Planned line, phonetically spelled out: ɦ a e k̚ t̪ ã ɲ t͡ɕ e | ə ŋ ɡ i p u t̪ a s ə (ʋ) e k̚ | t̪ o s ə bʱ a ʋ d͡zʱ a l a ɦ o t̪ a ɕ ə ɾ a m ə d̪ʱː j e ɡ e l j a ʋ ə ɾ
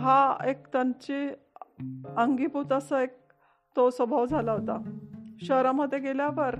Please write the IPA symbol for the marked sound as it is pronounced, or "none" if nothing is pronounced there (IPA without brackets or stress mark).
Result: none